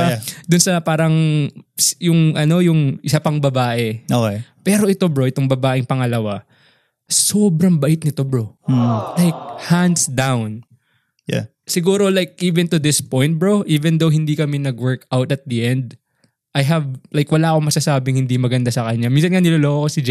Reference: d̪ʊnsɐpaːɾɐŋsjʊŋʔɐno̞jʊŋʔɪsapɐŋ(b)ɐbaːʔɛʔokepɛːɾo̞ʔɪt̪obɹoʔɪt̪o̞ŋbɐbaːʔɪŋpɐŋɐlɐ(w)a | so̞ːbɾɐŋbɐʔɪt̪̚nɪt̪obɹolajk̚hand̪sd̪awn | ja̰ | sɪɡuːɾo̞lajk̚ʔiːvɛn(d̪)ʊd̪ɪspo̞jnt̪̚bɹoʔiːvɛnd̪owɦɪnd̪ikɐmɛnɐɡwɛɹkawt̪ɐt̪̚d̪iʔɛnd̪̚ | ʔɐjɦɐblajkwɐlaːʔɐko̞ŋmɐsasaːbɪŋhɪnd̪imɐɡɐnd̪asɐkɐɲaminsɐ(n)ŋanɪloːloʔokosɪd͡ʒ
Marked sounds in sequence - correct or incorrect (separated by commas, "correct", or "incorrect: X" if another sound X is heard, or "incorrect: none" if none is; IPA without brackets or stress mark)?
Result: correct, correct, incorrect: t̪, correct